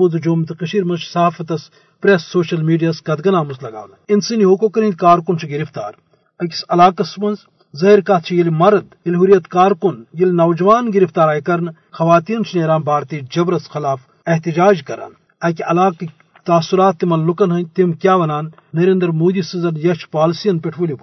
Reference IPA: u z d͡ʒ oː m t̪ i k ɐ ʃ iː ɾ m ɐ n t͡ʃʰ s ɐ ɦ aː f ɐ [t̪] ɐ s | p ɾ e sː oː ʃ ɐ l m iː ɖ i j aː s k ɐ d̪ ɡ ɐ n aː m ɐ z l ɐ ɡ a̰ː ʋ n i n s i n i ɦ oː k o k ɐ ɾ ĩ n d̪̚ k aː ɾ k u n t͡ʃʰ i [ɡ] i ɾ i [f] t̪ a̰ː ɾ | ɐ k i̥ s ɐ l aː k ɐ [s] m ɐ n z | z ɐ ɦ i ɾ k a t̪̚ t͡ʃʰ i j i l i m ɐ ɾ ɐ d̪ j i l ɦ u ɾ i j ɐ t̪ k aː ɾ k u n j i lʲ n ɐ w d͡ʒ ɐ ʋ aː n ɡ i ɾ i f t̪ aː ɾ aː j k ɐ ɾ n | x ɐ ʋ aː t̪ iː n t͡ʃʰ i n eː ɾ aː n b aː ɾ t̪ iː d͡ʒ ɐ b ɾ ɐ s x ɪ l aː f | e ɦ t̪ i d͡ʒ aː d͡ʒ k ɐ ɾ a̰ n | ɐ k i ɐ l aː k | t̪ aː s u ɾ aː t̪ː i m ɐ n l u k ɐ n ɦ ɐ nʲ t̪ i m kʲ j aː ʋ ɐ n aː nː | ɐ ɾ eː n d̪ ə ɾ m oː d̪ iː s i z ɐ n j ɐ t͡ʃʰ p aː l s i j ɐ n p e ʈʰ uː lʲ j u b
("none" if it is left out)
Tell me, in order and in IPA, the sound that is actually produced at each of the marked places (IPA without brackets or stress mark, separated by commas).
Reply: t̪, ɡ, f, s